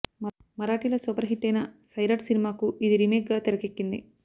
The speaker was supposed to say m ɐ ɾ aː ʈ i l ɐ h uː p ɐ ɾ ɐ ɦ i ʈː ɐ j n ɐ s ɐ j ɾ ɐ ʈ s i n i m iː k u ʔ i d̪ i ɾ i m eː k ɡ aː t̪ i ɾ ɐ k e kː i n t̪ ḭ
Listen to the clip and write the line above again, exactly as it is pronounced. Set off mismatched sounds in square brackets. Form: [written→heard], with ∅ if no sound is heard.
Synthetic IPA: m ɐ ɾ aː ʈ i l ɐ [h→s] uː p ɐ ɾ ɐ ɦ i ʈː ɐ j n ɐ s ɐ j ɾ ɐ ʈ s i n i m [iː→aː] k u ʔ i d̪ i ɾ i m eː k ɡ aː t̪ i ɾ ɐ k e kː i n [t̪→d̪] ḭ